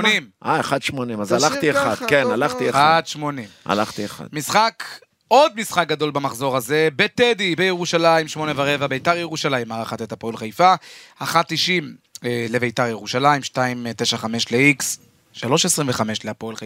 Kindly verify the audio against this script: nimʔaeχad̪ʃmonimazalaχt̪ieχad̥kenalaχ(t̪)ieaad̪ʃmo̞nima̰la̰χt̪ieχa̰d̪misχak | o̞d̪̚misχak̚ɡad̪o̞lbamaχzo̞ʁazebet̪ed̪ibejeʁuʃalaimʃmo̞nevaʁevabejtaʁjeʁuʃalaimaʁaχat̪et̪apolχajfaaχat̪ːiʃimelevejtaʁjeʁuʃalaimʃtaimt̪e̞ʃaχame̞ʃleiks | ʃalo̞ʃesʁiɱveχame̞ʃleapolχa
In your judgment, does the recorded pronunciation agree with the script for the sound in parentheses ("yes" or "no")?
yes